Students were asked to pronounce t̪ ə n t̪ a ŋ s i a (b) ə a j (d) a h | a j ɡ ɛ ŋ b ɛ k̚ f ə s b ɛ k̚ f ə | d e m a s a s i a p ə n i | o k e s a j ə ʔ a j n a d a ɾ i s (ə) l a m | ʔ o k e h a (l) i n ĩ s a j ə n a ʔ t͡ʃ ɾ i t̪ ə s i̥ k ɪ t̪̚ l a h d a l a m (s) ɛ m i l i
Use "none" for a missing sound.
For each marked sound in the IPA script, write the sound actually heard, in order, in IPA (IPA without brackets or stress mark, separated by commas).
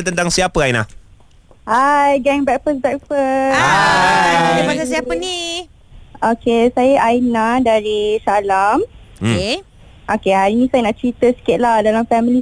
p, n, a, ɾ, f